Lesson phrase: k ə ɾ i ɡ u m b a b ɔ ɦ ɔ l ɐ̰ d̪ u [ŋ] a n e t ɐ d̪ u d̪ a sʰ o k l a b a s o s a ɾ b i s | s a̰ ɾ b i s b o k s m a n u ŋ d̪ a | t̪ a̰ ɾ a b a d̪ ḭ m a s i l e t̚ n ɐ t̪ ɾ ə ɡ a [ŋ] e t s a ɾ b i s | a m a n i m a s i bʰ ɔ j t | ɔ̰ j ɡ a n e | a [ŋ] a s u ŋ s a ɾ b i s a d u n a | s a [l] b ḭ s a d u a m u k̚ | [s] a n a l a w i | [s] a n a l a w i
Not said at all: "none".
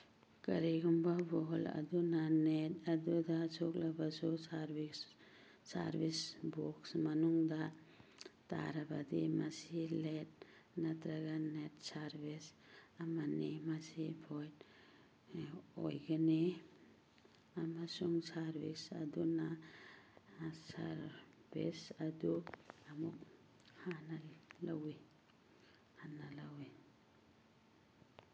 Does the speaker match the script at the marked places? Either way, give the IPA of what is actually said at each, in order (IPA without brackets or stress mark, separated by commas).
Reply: n, n, m, ɾ, h, h